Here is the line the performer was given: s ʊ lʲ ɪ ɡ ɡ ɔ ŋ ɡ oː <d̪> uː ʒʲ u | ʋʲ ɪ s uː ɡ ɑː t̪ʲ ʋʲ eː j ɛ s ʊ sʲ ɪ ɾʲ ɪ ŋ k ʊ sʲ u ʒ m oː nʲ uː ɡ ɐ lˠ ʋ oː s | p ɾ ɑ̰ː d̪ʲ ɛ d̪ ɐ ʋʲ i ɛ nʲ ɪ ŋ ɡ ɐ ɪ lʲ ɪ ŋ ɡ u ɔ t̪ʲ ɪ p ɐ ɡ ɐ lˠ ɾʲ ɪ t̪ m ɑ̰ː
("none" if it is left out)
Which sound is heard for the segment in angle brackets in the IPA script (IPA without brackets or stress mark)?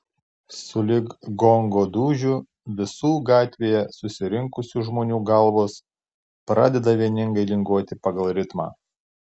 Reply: d̪